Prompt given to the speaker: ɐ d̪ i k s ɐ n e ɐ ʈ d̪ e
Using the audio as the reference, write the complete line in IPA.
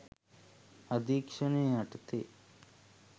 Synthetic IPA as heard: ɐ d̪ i k ʂ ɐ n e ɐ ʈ t̪ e